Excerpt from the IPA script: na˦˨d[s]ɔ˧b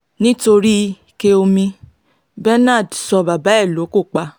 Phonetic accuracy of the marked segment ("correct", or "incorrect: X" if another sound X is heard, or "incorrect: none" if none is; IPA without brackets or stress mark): correct